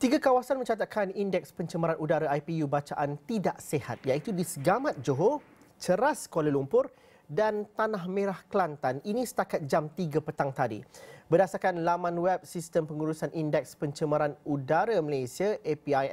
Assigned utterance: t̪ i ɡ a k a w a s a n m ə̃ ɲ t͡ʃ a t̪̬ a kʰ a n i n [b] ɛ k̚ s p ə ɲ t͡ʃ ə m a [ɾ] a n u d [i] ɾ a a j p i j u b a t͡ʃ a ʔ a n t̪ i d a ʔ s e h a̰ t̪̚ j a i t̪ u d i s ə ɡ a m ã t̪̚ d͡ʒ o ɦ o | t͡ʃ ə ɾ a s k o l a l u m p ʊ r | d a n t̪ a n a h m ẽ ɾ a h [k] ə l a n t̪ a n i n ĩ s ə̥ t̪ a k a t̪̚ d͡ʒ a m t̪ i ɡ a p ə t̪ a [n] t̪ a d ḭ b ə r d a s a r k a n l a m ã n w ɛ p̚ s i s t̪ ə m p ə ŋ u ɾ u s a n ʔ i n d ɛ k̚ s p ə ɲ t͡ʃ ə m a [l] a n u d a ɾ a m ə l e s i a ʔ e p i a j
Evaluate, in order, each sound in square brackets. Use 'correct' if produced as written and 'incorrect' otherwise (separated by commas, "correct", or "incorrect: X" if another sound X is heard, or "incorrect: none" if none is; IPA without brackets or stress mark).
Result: incorrect: d, correct, incorrect: a, correct, incorrect: ŋ, incorrect: ɾ